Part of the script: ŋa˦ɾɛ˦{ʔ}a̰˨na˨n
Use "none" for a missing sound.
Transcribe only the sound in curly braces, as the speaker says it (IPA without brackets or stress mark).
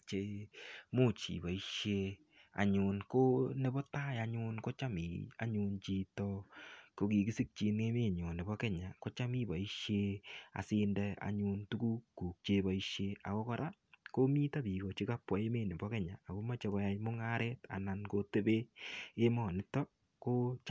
t